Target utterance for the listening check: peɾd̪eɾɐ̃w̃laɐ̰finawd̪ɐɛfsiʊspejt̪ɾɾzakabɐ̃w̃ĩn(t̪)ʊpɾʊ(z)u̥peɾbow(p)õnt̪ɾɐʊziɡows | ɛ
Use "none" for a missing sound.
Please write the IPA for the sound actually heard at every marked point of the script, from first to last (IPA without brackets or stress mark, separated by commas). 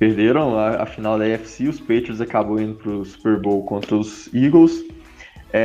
d̪, s, k